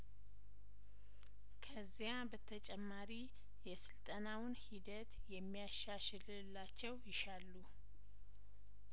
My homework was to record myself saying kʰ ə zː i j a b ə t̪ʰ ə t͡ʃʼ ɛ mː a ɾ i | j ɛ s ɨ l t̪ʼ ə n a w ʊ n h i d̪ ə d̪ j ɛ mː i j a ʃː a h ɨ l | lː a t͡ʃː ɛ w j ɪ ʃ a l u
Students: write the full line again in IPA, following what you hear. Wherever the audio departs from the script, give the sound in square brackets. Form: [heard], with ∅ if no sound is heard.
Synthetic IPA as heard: kʰ ə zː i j a b ə t̪ʰ ə t͡ʃʼ ɛ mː a ɾ i | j ɛ s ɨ l t̪ʼ ə n a w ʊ n h i d̪ ə [t̪] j ɛ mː i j a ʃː a [ʃ] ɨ l | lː a t͡ʃː ɛ w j ɪ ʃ a [lː] u